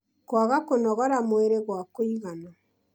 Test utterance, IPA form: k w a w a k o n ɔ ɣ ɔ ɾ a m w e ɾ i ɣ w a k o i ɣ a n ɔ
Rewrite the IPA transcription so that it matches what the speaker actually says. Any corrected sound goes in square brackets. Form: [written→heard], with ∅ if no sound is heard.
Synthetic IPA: k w a [w→ɣ] a k o n ɔ ɣ ɔ ɾ a m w e ɾ [i→e] ɣ w a k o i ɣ a n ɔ